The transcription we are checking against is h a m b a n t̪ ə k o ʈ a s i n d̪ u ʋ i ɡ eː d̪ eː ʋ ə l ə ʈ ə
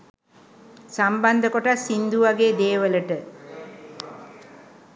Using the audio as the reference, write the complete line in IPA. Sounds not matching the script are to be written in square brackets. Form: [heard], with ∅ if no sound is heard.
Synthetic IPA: [s] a m b a n [d̪] ə k o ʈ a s i n d̪ u ʋ [a] ɡ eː d̪ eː ʋ ə l ə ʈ ə